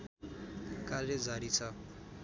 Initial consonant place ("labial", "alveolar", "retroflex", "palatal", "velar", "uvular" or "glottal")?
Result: velar